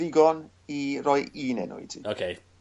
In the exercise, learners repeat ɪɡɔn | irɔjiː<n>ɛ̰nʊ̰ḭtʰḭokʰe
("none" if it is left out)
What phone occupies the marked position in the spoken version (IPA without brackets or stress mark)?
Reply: n